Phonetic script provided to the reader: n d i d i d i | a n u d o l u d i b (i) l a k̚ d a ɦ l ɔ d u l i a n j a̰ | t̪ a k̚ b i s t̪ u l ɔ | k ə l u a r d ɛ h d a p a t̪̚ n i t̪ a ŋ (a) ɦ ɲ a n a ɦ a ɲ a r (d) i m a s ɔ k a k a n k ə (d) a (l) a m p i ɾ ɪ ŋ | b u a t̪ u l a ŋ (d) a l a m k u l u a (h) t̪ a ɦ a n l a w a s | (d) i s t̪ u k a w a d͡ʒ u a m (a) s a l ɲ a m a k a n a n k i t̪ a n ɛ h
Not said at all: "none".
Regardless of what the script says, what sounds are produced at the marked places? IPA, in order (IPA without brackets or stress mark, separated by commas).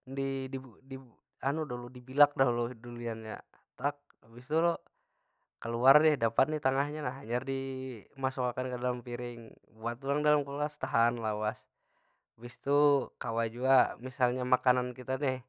i, a, d, d, l, d, s, b, i